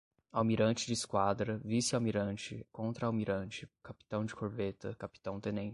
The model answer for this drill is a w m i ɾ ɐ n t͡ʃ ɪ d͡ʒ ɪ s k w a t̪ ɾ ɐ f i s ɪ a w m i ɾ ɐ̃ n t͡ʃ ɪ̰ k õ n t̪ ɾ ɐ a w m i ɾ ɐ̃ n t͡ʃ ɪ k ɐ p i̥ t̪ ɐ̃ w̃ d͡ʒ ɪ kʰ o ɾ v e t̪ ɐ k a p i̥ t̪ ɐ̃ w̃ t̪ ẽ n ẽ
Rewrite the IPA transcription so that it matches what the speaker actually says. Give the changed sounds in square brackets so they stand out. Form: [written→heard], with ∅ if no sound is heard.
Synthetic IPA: a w m i ɾ [ɐ→ɐ̃] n t͡ʃ ɪ d͡ʒ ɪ s k w a [t̪→d̪] ɾ ɐ [f→v] i s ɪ a w m i ɾ ɐ̃ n t͡ʃ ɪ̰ k õ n t̪ ɾ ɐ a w m i ɾ ɐ̃ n t͡ʃ ɪ k [ɐ→a] p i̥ t̪ ɐ̃ w̃ d͡ʒ ɪ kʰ o ɾ v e t̪ ɐ k a p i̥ t̪ ɐ̃ w̃ t̪ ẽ n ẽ